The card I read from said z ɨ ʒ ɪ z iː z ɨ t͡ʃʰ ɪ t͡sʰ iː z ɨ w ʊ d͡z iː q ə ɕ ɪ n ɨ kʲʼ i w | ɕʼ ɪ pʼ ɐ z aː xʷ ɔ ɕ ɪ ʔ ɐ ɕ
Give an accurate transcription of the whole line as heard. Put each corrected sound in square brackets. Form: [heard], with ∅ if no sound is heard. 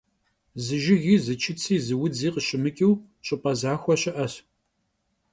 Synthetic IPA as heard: z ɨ ʒ ɪ [ɣ] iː z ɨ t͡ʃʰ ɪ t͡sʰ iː z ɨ w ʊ d͡z iː q ə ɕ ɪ [m] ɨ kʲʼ i w | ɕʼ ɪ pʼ ɐ z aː xʷ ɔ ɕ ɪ ʔ ɐ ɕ

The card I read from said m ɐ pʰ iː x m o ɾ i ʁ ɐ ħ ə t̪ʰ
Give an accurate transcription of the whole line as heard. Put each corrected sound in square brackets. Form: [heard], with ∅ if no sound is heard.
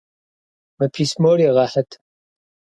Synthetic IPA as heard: m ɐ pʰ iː [s] m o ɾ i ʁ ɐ ħ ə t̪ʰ

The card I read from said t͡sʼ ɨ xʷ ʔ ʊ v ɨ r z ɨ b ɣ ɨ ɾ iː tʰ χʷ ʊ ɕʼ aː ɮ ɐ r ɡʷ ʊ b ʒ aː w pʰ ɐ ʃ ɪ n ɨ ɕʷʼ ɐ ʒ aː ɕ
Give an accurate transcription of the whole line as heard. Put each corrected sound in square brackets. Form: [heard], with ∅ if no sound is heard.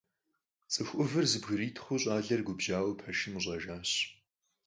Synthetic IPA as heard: t͡sʼ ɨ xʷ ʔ ʊ v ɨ r z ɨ b ɣ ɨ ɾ iː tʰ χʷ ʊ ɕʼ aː ɮ ɐ r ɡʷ ʊ b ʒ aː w pʰ ɐ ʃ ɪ [m] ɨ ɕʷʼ ɐ ʒ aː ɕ

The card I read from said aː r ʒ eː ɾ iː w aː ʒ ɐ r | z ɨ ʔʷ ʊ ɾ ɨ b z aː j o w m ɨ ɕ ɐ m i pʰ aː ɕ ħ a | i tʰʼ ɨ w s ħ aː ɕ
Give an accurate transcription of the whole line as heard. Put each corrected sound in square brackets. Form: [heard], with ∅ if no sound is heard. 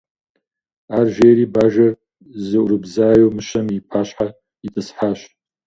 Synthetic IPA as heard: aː r ʒ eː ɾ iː [b] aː ʒ ɐ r | z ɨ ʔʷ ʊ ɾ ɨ b z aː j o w m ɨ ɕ ɐ m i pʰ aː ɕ ħ a | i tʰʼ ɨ [∅] s ħ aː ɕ

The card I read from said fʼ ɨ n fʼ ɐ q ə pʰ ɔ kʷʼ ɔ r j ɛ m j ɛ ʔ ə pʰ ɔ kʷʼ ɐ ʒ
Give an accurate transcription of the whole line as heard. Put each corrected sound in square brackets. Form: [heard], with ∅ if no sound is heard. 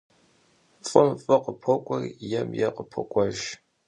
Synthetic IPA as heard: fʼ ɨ [m] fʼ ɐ q ə pʰ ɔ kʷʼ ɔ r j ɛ m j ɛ [q] ə pʰ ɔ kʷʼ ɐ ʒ

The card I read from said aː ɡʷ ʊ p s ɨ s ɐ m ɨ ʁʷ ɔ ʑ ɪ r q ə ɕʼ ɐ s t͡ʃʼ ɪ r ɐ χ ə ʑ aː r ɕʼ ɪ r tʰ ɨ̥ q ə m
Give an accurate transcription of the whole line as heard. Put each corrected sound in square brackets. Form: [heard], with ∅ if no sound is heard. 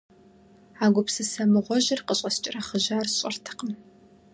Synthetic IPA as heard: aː ɡʷ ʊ p s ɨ s ɐ m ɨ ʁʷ ɔ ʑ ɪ r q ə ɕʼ ɐ s t͡ʃʼ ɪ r ɐ χ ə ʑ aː r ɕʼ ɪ r tʰ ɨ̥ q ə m

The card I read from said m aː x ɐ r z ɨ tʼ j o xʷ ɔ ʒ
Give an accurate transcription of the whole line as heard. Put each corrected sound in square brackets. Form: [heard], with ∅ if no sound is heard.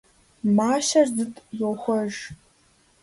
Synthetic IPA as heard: m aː [ʃ] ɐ r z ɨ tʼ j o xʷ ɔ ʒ

